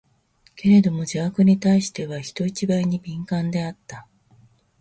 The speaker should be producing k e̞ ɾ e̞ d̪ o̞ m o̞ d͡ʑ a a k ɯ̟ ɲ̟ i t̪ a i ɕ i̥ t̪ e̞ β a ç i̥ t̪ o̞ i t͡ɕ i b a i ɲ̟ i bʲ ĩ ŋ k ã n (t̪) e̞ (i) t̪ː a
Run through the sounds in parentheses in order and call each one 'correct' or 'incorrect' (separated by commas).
incorrect, incorrect